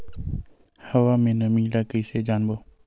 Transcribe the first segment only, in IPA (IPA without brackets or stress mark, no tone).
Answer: h